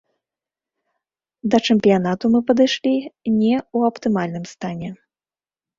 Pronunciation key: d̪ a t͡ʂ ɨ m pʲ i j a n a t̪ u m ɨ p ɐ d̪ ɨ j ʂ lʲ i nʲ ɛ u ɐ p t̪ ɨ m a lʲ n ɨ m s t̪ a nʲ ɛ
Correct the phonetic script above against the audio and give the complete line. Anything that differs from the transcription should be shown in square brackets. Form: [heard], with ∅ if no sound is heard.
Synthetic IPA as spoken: d̪ [ɐ] t͡ʂ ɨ m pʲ i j a n a t̪ u m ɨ p ɐ d̪ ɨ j ʂ lʲ i nʲ ɛ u ɐ p t̪ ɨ m a lʲ n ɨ m s t̪ a nʲ ɛ